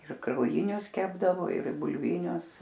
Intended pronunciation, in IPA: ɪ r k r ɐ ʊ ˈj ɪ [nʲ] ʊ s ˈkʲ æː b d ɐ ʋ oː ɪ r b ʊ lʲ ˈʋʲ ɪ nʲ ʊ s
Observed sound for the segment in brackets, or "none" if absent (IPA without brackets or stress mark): nʲ